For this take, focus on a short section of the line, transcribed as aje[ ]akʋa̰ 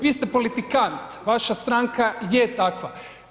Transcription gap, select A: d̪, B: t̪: B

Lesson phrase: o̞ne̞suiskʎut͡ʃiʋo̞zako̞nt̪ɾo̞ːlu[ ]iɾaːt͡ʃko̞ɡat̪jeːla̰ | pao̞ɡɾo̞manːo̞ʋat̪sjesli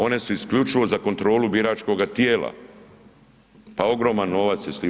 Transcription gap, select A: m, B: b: B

